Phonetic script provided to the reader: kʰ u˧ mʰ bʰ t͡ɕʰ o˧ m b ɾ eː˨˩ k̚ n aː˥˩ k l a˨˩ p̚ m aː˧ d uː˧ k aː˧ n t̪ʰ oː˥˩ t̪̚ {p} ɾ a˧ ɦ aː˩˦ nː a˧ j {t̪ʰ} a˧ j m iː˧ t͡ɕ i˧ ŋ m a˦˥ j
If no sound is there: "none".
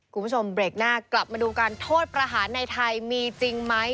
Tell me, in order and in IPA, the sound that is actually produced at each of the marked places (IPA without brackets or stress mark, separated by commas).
p, t̪ʰ